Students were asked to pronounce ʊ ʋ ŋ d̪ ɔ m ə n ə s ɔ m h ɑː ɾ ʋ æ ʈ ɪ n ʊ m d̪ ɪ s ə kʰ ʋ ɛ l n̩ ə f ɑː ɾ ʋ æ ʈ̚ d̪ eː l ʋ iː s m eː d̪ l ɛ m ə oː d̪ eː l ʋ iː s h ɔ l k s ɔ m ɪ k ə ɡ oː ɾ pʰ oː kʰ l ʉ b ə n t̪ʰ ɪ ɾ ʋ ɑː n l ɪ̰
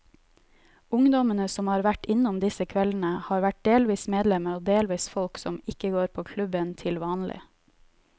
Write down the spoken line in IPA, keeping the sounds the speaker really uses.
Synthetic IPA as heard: ʊ ŋ d̪ ɔ m ə n ə s ɔ m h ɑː ɾ ʋ æ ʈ ɪ n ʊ m d̪ ɪ s ə kʰ ʋ ɛ l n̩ ə h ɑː ɾ ʋ æ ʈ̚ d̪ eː l ʋ iː s m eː d̪ l ɛ m ə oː d̪ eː l ʋ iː s f ɔ l k s ɔ m ɪ k ə ɡ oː ɾ pʰ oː kʰ l ʉ b ə n t̪ʰ ɪ l ʋ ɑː n l ɪ̰